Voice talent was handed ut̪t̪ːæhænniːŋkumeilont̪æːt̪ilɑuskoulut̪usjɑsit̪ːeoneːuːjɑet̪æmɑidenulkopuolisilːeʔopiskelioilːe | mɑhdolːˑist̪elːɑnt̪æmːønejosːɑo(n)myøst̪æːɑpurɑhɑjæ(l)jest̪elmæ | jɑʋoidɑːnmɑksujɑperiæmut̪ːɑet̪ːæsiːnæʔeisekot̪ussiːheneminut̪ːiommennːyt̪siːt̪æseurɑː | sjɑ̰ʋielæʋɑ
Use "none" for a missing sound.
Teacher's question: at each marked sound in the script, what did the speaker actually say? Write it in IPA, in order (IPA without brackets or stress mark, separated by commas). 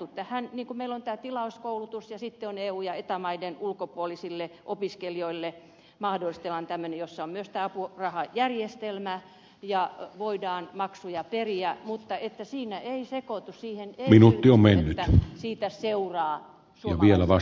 m, r